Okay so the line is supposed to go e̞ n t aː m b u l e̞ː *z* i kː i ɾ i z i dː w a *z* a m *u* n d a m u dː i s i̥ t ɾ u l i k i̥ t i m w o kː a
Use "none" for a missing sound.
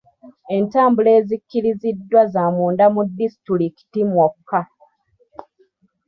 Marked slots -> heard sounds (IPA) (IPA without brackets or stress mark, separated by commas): z, z, uː